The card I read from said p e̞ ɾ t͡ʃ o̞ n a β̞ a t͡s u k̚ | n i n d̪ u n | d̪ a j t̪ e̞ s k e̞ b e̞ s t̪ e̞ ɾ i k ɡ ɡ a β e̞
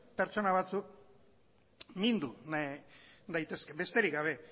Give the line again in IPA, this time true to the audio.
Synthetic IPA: p e̞ ɾ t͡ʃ o̞ n a β̞ a t͡s u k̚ | m i n d̪ u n | d̪ a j t̪ e̞ s k e̞ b e̞ s t̪ e̞ ɾ i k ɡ ɡ a β e̞